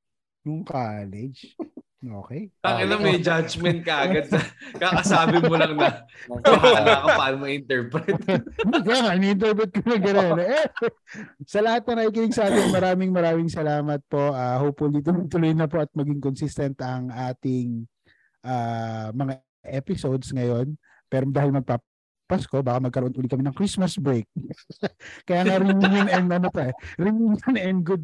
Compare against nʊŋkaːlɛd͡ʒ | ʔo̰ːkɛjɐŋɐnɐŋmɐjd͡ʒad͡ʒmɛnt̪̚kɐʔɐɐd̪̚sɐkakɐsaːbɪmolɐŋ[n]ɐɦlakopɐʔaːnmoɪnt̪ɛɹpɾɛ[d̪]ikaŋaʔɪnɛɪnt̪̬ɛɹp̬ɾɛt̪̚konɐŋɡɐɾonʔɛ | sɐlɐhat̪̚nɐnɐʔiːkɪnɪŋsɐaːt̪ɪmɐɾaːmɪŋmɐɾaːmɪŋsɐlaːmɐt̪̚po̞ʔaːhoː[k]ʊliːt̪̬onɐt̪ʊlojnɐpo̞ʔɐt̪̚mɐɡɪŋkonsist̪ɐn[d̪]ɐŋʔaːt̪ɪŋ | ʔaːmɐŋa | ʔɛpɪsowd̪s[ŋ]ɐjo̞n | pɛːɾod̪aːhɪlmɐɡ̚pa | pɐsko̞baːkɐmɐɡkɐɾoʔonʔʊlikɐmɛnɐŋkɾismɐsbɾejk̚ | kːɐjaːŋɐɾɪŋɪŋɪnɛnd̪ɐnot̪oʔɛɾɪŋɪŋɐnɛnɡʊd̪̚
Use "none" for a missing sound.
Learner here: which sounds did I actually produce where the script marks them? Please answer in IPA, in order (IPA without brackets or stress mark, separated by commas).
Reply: n, t̪, p, t̪, ŋ